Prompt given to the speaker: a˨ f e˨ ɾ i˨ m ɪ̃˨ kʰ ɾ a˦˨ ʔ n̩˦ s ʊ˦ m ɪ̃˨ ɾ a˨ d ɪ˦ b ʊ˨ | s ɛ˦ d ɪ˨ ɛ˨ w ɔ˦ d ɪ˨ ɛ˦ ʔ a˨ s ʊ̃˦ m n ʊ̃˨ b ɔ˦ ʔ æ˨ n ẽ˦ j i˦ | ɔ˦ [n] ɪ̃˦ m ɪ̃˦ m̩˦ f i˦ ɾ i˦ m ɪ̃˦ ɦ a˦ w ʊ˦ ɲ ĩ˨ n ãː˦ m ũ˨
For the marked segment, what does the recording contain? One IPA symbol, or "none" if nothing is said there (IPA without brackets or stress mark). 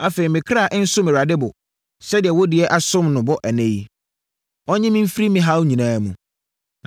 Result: ɲ